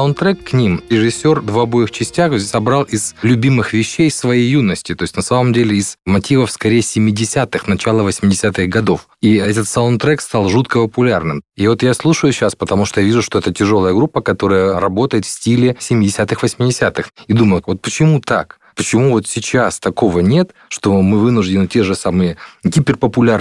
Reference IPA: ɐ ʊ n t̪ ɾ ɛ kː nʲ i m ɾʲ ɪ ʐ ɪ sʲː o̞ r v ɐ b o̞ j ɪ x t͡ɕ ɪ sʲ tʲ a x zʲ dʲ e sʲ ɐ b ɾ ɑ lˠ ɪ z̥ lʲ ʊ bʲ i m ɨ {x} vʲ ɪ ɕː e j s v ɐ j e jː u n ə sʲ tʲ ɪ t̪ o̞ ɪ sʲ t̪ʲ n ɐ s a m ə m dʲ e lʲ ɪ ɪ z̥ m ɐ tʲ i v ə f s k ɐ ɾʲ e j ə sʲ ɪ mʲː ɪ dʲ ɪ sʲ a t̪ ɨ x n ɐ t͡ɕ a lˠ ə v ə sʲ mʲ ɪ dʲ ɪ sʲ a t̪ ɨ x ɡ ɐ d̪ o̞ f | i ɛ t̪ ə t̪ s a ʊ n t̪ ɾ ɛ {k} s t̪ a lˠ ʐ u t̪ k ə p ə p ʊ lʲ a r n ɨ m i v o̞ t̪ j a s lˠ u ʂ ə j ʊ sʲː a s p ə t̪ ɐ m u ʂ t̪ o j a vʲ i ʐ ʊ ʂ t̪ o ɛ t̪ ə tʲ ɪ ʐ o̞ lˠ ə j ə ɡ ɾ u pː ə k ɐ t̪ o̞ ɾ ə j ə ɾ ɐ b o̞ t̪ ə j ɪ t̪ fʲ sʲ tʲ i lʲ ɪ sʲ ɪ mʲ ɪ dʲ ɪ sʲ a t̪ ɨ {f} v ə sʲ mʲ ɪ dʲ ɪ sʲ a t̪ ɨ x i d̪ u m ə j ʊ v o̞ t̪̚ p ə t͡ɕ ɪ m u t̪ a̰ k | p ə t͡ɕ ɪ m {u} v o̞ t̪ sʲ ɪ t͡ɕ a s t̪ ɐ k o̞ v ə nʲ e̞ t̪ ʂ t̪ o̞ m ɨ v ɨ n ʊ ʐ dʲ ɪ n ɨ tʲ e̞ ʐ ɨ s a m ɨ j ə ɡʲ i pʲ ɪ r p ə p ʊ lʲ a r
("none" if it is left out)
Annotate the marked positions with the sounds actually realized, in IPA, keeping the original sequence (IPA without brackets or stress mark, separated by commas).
x, k, x, u